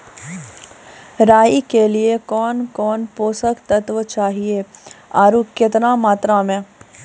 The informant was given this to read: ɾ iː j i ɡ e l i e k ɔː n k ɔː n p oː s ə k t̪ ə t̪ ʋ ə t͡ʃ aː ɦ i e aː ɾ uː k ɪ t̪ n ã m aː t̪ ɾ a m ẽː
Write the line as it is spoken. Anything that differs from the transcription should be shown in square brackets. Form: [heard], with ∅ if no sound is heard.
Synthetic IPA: ɾ [aː] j i [k] e l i e k ɔː n k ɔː n p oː s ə k t̪ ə t̪ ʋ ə t͡ʃ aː ɦ i e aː ɾ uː k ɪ t̪ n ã m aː t̪ ɾ a m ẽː